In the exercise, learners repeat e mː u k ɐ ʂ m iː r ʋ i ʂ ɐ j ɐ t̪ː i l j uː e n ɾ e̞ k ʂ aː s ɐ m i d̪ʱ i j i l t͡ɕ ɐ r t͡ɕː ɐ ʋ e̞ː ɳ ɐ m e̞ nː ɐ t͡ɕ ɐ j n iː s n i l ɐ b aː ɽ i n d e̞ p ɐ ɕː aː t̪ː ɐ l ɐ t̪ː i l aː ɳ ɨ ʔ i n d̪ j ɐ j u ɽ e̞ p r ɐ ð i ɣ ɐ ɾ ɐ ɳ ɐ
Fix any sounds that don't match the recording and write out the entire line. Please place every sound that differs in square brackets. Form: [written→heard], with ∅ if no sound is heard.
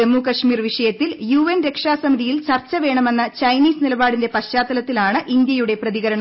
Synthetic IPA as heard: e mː u k ɐ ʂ m iː r ʋ i ʂ ɐ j ɐ t̪ː i l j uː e n ɾ e̞ k ʂ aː s ɐ m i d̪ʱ i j i l t͡ɕ ɐ r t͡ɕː ɐ ʋ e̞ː ɳ ɐ m e̞ nː ɐ t͡ɕ ɐ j n iː s n i l ɐ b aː ɽ i n d e̞ p ɐ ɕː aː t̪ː ɐ l ɐ t̪ː i l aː ɳ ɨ ʔ i n d̪ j ɐ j u ɽ e̞ p r ɐ ð i ɣ ɐ ɾ ɐ ɳ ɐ